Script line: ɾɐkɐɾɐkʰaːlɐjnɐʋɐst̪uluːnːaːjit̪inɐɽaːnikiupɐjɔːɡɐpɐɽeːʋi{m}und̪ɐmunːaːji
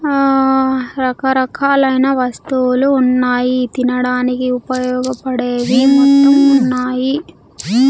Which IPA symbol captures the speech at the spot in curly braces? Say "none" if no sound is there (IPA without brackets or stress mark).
m